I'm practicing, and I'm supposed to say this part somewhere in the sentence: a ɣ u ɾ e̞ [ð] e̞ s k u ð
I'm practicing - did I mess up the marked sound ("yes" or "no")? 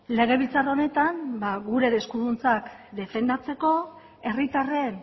no